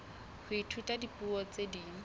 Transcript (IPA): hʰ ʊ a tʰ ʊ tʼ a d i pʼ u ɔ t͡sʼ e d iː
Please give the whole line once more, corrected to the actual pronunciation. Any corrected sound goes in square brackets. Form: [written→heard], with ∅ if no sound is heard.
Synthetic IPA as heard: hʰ ʊ [a→i] tʰ [ʊ→u] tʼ a d i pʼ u ɔ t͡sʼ e d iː